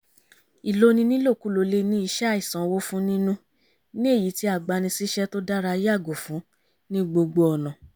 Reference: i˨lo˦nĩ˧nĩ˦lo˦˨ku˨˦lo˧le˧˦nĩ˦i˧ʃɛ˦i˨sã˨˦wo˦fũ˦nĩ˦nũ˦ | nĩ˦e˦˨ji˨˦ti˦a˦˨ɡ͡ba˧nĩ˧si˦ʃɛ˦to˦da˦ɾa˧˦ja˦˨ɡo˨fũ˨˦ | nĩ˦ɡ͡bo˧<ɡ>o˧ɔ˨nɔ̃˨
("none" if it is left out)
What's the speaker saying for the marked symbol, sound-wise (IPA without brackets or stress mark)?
ɡ͡b